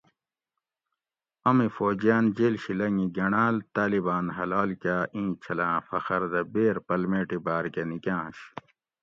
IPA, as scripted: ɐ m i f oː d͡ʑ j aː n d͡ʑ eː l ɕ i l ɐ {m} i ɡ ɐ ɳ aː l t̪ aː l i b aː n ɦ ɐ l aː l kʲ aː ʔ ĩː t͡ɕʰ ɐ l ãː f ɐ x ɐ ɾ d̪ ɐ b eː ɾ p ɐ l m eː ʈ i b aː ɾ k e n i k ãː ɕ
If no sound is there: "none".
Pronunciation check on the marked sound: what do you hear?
ŋ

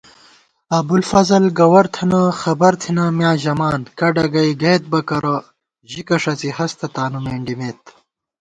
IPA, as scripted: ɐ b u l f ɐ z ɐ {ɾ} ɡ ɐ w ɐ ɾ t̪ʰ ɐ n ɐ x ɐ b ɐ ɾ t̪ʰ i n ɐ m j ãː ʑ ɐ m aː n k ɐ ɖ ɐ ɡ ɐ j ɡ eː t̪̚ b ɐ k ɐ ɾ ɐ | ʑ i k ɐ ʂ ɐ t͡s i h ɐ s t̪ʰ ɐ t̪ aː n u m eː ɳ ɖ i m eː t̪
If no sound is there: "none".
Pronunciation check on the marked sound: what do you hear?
l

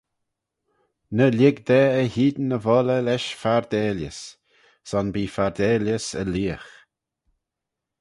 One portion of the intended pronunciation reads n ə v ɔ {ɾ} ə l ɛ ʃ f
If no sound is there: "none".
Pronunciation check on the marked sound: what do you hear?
l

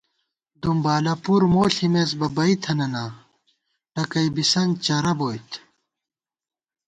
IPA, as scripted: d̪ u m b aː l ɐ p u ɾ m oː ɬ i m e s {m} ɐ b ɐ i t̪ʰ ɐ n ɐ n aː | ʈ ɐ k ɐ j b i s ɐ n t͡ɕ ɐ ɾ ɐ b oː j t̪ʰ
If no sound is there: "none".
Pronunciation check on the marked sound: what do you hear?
b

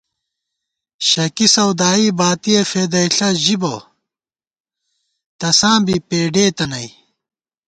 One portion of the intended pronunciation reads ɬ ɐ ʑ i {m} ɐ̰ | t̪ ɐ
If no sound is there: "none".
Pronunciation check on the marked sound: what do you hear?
b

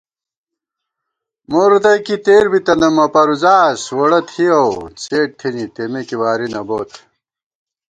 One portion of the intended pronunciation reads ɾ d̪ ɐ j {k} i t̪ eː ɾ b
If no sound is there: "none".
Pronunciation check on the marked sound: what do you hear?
k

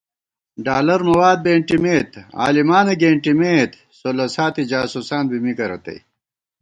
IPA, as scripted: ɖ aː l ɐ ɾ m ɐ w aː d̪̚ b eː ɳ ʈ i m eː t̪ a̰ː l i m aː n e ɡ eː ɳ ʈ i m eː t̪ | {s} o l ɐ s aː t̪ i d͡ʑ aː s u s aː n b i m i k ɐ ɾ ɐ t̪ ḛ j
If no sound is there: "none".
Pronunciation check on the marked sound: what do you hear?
s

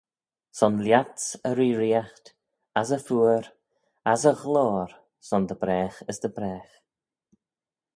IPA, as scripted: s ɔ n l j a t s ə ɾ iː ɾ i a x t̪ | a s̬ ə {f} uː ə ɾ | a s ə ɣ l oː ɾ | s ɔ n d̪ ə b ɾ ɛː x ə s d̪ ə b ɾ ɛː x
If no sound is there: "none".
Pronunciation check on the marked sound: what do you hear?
f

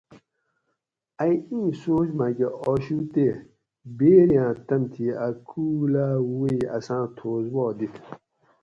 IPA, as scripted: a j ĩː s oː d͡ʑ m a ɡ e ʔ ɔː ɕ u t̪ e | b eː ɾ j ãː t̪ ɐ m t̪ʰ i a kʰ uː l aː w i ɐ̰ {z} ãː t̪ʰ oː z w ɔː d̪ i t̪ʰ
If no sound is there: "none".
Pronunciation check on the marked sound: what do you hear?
s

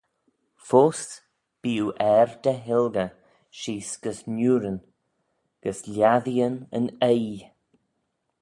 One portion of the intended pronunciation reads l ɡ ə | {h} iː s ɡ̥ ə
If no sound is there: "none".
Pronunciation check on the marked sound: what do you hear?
ʃ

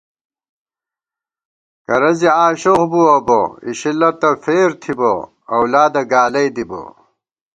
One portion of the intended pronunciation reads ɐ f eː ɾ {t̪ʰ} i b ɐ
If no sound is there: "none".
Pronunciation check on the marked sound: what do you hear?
t̪ʰ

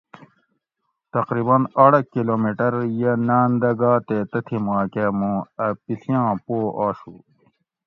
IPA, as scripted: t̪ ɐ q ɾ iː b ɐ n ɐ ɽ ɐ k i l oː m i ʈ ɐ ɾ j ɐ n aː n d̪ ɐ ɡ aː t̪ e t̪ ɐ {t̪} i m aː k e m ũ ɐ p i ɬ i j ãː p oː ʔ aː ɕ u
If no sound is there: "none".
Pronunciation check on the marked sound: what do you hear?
t̪ʰ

